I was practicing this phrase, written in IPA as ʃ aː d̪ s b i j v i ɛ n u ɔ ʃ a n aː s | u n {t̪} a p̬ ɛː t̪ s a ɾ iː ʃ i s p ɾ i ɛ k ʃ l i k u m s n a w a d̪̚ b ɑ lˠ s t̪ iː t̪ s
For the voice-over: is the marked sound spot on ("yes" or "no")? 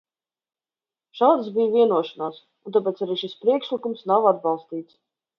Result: yes